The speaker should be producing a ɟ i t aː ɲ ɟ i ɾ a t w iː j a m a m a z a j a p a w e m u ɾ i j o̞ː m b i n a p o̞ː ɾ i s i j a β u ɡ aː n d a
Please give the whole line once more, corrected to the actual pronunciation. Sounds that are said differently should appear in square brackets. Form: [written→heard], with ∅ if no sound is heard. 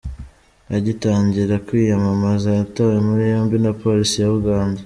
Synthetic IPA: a ɟ i t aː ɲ ɟ i ɾ a [t→k] w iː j a m a m a z a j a [p→t] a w e m u ɾ i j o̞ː m b i n a p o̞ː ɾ i s i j a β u ɡ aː n d a